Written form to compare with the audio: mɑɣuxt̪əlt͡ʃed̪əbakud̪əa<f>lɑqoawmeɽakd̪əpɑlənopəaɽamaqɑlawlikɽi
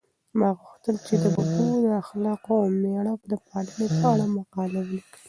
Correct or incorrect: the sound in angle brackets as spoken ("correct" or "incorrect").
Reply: incorrect